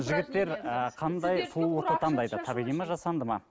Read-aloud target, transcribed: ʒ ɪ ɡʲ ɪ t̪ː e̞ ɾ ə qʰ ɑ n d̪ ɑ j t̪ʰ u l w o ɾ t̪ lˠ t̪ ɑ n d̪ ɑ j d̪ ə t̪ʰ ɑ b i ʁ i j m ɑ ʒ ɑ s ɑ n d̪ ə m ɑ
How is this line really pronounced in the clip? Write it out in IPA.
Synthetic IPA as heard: ʒ ɪ ɡʲ ɪ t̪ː e̞ ɾ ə qʰ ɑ n d̪ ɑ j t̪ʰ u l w o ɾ t̪ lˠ t̪ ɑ n d̪ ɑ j d̪ ə t̪ʰ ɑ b i ʁ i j m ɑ ʒ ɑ s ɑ n d̪ ə m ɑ